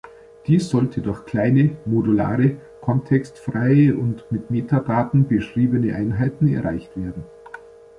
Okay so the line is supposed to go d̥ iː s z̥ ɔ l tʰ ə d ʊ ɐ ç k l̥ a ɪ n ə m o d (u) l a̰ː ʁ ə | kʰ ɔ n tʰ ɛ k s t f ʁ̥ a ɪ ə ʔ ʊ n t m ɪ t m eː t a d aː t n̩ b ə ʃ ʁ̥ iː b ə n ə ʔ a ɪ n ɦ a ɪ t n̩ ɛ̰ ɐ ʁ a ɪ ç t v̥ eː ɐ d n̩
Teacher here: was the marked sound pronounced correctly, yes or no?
yes